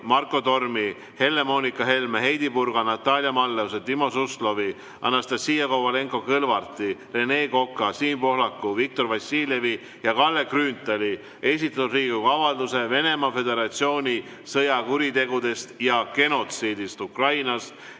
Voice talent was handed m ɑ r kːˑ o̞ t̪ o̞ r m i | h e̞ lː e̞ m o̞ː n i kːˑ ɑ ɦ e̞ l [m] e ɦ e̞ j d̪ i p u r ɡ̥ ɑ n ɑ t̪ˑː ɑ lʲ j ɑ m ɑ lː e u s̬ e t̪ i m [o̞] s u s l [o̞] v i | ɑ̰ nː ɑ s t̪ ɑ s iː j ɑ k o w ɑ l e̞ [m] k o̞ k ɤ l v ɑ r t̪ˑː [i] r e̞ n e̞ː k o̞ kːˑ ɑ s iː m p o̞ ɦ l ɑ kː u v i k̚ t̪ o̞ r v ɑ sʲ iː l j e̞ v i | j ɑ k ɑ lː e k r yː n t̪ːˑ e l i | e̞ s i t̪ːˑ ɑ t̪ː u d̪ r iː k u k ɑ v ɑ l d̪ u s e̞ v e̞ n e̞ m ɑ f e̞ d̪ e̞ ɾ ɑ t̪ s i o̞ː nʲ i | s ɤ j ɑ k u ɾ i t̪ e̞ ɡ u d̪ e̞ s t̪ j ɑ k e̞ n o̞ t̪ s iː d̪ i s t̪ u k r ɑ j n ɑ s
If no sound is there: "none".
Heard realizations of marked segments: m, o̞, o̞, ŋ, i

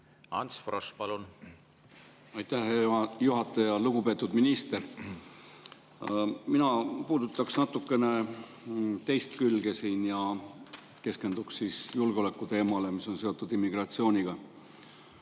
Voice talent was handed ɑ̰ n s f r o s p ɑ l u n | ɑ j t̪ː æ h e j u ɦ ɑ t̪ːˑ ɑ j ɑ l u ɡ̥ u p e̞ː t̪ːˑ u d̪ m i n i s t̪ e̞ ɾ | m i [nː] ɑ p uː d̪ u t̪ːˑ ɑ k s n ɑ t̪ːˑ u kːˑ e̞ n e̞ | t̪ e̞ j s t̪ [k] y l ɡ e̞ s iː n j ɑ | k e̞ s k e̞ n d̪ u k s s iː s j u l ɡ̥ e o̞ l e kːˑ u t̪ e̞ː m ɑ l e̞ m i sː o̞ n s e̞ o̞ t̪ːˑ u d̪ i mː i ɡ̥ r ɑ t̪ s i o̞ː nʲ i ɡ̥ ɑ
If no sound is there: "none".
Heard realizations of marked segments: n, k

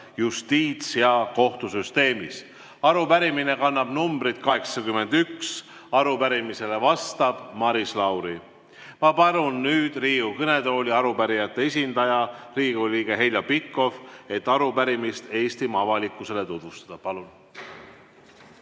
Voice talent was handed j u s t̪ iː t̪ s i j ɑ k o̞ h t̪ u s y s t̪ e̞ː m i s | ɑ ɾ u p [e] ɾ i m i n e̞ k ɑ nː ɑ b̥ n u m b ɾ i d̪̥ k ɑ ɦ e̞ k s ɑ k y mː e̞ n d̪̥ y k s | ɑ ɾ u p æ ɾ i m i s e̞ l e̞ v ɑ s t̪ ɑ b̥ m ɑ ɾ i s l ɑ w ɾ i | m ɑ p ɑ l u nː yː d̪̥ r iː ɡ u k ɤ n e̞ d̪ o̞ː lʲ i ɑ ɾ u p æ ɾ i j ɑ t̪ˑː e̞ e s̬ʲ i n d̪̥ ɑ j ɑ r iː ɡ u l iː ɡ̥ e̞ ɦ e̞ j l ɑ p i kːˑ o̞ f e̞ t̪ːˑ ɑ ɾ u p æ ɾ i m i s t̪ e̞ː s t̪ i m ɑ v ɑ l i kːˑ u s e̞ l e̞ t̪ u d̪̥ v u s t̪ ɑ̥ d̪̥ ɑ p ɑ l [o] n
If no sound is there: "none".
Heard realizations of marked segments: æ, u

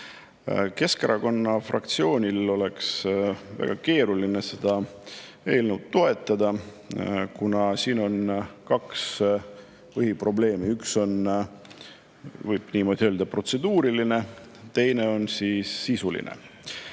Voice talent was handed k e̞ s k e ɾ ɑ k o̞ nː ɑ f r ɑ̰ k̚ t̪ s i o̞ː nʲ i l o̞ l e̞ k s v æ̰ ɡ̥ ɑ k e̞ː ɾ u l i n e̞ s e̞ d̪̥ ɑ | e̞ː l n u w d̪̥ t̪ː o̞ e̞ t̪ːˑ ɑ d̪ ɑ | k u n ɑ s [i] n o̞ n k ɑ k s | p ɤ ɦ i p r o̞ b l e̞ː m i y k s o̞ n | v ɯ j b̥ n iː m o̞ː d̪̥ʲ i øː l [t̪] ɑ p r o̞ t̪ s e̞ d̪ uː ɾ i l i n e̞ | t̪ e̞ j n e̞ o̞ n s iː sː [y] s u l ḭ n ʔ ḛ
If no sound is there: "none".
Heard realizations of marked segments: iː, d̪, i

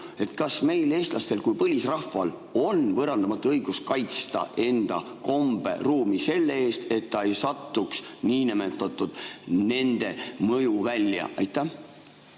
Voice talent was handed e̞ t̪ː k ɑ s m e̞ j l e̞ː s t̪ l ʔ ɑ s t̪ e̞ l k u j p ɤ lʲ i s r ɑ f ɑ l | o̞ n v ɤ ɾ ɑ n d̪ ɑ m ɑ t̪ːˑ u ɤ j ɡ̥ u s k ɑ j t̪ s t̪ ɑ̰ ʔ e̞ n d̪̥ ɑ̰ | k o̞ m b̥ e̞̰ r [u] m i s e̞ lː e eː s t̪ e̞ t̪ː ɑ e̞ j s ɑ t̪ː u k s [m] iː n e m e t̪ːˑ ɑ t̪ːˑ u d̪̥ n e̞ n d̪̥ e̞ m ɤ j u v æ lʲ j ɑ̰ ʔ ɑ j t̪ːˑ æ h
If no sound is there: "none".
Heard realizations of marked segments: uː, n

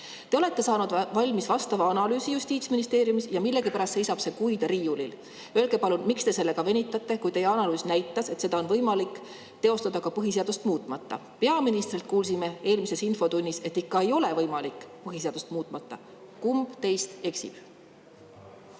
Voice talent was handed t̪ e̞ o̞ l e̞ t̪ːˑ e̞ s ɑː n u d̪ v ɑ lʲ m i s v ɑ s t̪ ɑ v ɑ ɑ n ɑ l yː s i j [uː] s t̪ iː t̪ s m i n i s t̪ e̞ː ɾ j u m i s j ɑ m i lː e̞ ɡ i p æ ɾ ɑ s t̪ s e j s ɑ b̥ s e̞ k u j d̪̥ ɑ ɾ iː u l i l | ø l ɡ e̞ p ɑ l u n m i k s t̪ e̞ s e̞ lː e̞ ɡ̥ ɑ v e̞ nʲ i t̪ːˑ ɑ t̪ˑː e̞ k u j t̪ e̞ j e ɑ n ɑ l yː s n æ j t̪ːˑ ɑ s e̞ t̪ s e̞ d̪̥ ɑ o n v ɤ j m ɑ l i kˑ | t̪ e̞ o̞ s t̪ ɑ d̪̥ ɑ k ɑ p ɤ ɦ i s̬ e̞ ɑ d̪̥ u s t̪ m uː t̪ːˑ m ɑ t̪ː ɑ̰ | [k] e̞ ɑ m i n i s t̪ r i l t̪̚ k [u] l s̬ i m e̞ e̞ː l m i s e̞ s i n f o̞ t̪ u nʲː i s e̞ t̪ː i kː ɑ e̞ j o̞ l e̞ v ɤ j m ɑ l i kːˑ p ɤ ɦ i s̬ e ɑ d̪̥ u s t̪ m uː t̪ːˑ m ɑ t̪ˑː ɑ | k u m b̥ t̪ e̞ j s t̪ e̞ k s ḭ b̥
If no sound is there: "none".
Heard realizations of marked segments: u, p, uː

